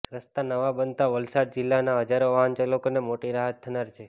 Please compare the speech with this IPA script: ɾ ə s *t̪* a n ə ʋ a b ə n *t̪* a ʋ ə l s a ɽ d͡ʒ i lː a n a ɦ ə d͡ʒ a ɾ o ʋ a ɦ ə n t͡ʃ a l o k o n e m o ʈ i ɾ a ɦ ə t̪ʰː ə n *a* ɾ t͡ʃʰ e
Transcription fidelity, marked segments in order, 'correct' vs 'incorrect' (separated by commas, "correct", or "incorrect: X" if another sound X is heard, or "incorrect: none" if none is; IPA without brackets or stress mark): correct, correct, correct